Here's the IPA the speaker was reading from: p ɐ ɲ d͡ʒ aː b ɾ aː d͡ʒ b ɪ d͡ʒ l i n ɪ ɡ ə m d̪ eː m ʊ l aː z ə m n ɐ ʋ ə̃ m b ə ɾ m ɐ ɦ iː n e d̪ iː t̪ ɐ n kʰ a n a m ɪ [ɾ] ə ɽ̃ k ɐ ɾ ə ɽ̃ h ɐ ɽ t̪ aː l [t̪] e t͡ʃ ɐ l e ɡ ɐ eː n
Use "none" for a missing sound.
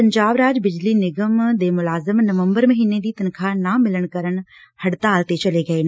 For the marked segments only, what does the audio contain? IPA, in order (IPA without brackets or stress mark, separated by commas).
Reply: l, t̪